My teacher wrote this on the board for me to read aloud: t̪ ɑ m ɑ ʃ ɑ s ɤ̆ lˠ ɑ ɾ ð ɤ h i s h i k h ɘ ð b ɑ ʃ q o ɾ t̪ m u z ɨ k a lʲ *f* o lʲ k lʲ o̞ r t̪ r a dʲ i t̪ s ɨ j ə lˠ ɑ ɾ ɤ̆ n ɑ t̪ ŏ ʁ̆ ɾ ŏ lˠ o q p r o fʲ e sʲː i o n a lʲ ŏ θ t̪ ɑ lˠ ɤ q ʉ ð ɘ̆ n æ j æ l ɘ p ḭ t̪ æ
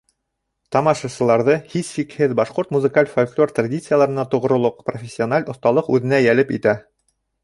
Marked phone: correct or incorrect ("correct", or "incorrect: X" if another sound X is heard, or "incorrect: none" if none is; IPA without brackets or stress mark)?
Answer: correct